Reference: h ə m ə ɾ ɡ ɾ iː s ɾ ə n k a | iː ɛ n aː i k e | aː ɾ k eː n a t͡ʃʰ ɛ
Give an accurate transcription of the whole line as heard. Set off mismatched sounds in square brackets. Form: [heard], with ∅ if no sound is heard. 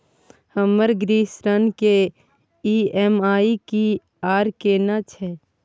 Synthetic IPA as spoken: h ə m ə ɾ ɡ ɾ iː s ɾ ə n k [e] | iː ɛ [m] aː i k [i] | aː ɾ k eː n a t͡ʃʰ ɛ

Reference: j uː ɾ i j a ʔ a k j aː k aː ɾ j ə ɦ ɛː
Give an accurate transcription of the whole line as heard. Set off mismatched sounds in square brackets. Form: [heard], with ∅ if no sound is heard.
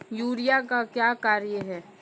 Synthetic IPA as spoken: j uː ɾ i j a [k] a k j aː k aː ɾ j ə ɦ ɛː

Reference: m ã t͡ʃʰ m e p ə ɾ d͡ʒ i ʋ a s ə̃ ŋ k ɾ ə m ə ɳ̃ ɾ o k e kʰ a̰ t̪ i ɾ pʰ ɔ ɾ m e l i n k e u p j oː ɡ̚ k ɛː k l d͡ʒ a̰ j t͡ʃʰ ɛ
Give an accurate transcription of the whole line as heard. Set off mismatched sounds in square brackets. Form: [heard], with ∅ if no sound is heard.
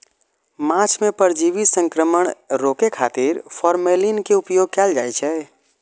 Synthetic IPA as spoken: m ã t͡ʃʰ m e p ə ɾ d͡ʒ i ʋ [i] s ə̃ ŋ k ɾ ə m ə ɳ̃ ɾ o k e kʰ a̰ t̪ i ɾ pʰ ɔ ɾ m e l i n k e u p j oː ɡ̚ k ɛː [∅] l d͡ʒ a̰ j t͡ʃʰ ɛ

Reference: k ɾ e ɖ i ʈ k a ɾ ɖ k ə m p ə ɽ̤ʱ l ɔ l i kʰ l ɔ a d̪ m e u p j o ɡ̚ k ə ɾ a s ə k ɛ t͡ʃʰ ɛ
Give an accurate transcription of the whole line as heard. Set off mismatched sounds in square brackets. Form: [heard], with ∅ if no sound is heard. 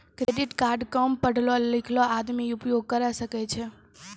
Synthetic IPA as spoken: k ɾ e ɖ i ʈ k a ɾ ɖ k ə m p ə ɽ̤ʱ l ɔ l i kʰ l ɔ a d̪ m [i] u p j o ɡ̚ k ə ɾ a s ə k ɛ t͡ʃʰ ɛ

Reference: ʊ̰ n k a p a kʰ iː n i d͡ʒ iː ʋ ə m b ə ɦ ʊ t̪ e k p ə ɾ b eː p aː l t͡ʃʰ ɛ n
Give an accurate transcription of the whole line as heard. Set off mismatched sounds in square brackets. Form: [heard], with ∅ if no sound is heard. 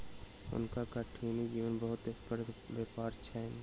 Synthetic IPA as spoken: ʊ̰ n k a [k] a [ʈʰ] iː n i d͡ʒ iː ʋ ə [n] b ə ɦ ʊ t̪ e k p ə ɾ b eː p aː [ɾ] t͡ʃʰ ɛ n

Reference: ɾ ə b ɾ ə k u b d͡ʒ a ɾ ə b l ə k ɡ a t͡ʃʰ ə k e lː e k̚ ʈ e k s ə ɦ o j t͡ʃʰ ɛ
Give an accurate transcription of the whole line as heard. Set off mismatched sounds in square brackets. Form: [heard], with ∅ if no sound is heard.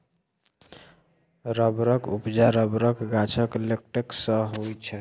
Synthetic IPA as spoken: ɾ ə b ɾ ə k u [p] d͡ʒ a ɾ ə b [ɾ] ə k ɡ a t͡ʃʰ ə k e [l] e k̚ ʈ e k s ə ɦ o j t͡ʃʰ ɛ

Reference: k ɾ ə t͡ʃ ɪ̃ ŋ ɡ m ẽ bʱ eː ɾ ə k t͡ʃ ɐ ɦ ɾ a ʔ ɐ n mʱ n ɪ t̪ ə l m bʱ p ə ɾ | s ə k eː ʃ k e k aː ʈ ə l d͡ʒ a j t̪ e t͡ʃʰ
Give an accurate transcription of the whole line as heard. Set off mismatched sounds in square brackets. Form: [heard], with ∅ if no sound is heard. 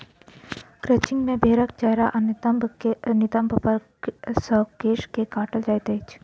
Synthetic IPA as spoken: k ɾ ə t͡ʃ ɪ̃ ŋ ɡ m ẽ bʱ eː ɾ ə k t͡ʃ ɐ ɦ ɾ a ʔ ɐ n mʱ n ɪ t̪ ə [∅] m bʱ p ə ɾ | s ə k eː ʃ k e k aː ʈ ə l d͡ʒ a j t̪ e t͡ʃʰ

